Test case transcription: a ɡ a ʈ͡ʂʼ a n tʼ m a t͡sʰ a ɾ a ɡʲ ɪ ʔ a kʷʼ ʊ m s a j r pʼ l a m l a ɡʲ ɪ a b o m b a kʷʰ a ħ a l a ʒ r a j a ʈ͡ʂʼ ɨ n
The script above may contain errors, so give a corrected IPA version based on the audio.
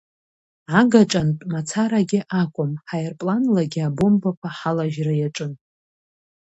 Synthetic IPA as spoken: a ɡ a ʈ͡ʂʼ a n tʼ m a t͡sʰ a ɾ a ɡʲ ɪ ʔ a kʷʼ ʊ m ħ a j r pʼ l a n l a ɡʲ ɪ a b o m b a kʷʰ a ħ a l a ʒ r a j a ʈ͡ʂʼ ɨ n

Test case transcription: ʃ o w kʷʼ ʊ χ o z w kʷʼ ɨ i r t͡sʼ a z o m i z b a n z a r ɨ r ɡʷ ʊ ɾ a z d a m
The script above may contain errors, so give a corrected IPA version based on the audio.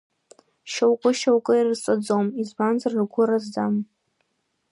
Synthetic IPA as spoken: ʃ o w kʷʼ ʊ ʃ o w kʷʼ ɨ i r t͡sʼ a d͡z o m i z b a n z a r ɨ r ɡʷ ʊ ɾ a z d a m

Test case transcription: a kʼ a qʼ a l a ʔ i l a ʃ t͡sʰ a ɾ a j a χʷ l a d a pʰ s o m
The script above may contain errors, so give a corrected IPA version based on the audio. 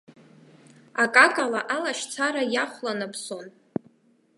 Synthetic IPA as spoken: a kʼ a kʼ a l a ʔ a l a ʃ t͡sʰ a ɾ a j a χʷ l a n a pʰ s o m

